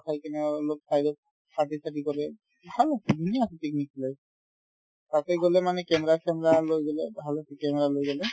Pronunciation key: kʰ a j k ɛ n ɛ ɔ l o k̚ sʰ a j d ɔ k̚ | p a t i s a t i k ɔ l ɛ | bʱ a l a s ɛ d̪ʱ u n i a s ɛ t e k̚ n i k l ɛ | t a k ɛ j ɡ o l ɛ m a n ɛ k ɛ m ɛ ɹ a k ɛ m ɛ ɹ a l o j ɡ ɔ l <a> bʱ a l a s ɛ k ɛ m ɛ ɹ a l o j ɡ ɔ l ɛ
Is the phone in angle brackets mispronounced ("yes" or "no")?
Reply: yes